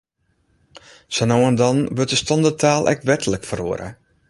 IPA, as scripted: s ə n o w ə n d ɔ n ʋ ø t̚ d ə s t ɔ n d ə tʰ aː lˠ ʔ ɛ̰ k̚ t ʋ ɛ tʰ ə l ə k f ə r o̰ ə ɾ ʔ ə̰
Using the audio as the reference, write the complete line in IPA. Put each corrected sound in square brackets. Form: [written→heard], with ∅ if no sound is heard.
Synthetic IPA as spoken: s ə n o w ə n d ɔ n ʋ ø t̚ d ə s t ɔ n d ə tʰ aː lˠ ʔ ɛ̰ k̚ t ʋ ɛ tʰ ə l ə k f ə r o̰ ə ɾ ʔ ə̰